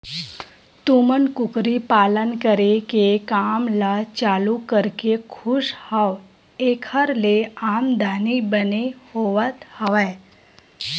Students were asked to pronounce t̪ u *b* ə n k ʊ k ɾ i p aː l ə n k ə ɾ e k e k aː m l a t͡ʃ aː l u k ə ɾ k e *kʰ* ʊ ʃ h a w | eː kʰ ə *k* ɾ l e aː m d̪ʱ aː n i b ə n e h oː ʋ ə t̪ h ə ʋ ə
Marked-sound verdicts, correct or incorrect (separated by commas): incorrect, correct, incorrect